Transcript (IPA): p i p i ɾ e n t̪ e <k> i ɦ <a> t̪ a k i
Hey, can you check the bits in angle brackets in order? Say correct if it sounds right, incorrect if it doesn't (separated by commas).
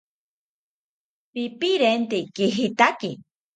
correct, incorrect